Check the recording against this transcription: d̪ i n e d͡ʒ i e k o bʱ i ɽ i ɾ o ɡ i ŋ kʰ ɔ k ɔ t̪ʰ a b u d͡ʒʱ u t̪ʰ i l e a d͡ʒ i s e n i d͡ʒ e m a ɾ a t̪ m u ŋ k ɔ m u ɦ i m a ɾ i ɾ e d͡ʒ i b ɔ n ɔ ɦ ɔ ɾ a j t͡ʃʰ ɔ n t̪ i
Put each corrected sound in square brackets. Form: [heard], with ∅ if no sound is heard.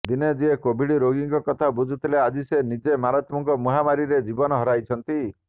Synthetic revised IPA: d̪ i n e d͡ʒ i e k o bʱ i ɽ i ɾ o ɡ i ŋ [k] ɔ k ɔ t̪ʰ a b u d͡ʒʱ u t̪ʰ i l e a d͡ʒ i s e n i d͡ʒ e m a ɾ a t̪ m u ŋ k ɔ m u ɦ [a] m a ɾ i ɾ e d͡ʒ i b ɔ n ɔ ɦ ɔ ɾ a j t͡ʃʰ ɔ n t̪ i

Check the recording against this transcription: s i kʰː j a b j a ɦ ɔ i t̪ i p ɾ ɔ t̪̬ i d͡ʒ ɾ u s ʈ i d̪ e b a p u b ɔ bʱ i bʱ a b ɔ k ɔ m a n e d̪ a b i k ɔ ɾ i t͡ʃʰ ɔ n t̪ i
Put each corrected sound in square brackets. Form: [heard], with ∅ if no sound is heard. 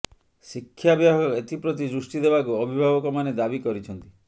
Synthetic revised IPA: s i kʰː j a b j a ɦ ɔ [e] t̪ i p ɾ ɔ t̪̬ i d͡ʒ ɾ u s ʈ i d̪ e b a [k] u [∅] ɔ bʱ i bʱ a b ɔ k ɔ m a n e d̪ a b i k ɔ ɾ i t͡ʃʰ ɔ n t̪ i

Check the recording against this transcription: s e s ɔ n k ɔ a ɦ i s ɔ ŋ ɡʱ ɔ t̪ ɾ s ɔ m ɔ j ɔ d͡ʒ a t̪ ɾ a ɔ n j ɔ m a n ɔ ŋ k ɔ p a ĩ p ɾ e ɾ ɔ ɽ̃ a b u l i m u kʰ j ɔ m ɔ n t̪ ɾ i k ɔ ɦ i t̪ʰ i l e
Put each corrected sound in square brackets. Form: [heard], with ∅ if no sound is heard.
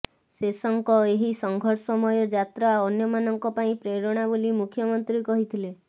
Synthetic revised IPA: s e s ɔ [ŋ] k ɔ [e] ɦ i s ɔ ŋ ɡʱ ɔ [∅] ɾ s ɔ m ɔ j ɔ d͡ʒ a t̪ ɾ a ɔ n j ɔ m a n ɔ ŋ k ɔ p a ĩ p ɾ e ɾ ɔ ɽ̃ a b [o] l i m u kʰ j ɔ m ɔ n t̪ ɾ i k ɔ ɦ i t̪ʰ i l e

